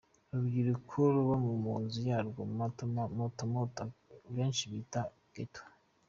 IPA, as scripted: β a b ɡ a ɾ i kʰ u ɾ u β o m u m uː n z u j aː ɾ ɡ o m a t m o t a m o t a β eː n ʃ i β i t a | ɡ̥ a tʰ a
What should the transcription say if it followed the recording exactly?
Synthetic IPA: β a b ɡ i ɾ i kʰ u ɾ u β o m u m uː n z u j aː ɾ ɡ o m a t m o t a m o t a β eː n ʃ i β i t a | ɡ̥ e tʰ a